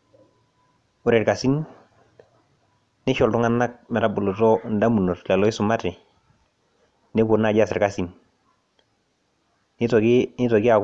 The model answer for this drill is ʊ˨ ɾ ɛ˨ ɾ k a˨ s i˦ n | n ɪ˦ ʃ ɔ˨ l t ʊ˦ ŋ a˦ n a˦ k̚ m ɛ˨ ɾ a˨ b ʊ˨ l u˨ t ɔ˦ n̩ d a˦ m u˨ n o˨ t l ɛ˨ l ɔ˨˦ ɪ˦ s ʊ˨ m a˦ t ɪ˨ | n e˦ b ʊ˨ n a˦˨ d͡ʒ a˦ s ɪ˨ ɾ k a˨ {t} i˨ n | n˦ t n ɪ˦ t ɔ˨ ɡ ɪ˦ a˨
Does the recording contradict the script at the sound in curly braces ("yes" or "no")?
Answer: yes